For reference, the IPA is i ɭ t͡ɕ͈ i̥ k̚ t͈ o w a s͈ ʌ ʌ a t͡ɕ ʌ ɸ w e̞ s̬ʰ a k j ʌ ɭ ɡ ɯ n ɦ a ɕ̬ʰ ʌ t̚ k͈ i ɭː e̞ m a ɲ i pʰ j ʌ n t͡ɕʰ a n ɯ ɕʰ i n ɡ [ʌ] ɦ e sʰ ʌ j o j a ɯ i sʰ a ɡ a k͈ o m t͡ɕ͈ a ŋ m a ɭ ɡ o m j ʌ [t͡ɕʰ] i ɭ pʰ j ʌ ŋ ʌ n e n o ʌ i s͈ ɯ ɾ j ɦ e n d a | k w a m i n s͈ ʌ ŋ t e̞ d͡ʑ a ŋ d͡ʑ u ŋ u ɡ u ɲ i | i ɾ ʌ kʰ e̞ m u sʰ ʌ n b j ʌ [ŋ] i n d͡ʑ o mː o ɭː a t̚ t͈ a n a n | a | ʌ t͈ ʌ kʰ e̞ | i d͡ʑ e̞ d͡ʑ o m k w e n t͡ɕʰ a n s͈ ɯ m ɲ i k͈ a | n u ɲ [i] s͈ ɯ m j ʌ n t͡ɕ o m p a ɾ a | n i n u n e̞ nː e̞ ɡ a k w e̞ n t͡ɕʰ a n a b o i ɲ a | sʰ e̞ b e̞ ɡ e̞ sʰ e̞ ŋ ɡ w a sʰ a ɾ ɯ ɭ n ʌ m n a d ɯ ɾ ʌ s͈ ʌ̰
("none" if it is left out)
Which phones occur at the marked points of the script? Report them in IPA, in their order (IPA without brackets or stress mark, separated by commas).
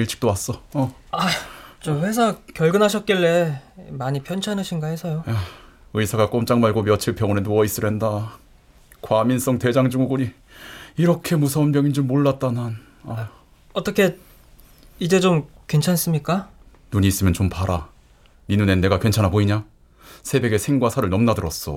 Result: a, t͡ɕʰ, ŋ, iː